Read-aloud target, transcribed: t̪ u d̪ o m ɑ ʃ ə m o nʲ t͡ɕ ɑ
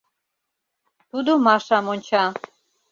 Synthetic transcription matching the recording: t̪ u d̪ o m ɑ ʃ ɑ m o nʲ t͡ɕ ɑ

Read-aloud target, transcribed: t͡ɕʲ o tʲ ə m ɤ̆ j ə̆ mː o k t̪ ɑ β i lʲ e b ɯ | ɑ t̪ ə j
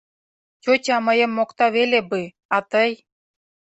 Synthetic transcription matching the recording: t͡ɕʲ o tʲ ɑ m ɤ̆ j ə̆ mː o k t̪ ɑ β e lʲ e b ɯ | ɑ t̪ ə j

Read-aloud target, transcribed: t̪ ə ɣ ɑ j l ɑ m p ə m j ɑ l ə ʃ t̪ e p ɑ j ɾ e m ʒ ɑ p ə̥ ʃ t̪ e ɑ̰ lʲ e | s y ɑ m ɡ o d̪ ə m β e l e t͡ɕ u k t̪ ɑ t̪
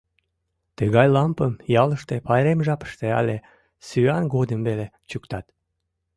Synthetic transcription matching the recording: t̪ ə ɣ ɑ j l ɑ m p ə m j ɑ l ə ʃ t̪ e p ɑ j ɾ e m ʒ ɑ p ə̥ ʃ t̪ e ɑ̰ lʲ e | s y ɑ n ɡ o d̪ ə m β e l e t͡ɕ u k t̪ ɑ t̪

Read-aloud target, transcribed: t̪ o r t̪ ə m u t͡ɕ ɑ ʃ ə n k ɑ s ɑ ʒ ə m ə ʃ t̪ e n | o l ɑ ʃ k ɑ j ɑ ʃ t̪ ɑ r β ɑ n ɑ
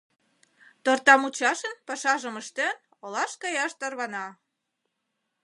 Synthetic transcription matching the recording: t̪ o r t̪ ɑ m u t͡ɕ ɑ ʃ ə n p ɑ ʃ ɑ ʒ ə m ə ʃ t̪ e n | o l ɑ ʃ k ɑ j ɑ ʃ t̪ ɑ r β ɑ n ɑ

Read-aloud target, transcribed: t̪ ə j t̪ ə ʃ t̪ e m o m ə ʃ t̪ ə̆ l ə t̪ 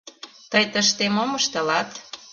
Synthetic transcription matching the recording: t̪ ə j t̪ ə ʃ t̪ e m o m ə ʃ t̪ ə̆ l ɑ t̪

